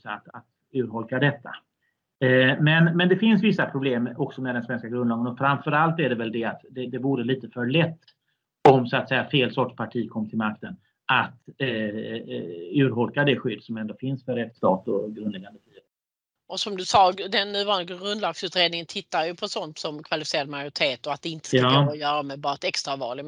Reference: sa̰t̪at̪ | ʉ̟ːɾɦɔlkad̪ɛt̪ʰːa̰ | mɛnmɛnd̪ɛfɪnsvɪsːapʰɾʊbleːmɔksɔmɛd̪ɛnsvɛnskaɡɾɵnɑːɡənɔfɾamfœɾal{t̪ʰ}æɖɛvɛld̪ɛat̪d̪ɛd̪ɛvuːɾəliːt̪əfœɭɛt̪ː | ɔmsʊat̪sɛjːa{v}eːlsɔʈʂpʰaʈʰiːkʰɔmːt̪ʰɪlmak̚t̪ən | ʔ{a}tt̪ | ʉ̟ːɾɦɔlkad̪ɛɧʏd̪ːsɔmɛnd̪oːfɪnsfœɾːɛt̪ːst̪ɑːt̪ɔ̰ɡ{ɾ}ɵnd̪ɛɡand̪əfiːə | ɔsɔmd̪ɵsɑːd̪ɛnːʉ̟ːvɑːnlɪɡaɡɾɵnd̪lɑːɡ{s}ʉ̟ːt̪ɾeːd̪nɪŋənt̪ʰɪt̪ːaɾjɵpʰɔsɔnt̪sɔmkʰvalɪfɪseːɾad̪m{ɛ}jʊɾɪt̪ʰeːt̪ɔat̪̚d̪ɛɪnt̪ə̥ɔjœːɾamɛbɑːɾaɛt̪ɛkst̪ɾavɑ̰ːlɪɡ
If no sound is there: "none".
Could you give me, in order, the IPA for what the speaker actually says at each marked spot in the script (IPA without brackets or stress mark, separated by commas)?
t̪, f, a, ɾ, s, a